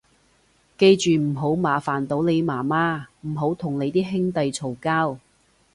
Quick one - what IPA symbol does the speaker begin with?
k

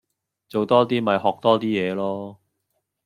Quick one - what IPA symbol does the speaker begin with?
t͡s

